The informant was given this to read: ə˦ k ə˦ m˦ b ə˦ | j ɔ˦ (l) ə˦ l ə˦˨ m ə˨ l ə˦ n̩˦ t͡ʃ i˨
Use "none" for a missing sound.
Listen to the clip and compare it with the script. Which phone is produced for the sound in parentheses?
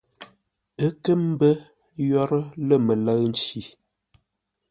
ɾ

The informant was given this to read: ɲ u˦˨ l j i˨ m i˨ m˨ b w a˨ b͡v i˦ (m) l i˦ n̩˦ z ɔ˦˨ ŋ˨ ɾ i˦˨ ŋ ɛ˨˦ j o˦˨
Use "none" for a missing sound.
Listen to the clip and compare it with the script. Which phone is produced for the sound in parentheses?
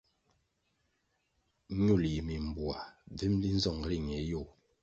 m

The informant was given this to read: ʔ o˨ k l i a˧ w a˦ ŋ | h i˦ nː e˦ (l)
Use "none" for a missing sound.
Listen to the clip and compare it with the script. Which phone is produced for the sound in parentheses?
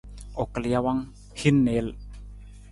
l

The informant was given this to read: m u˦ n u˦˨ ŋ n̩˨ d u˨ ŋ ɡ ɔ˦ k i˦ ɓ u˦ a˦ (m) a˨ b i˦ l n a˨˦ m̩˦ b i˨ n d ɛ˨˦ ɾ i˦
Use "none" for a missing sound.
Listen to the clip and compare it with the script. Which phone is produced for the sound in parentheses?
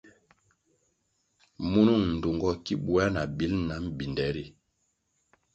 n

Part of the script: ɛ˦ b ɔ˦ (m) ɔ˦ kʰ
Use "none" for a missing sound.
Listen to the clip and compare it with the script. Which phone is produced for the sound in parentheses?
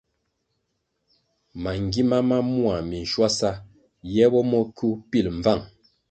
m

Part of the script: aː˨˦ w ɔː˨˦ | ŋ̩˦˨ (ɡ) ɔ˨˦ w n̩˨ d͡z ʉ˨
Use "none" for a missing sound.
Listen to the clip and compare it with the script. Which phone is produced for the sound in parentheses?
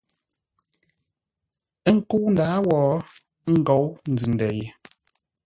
ɡ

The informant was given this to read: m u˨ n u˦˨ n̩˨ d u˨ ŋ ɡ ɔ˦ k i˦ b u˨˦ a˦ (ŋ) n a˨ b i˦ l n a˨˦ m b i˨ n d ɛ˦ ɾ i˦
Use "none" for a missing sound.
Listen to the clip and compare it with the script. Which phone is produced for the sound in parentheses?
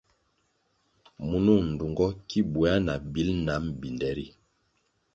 none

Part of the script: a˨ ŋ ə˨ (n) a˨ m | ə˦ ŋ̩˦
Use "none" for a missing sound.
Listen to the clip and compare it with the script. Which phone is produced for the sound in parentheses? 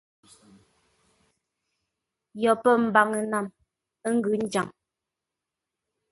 n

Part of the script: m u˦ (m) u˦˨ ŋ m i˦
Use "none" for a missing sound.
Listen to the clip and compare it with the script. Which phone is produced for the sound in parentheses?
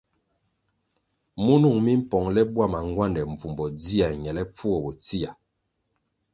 n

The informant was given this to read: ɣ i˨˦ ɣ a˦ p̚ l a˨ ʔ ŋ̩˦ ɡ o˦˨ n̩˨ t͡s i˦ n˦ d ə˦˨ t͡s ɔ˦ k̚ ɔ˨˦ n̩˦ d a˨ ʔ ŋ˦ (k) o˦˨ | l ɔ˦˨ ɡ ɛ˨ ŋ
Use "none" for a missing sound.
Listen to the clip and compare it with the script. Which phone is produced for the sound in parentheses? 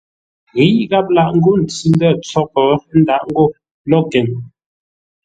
ɡ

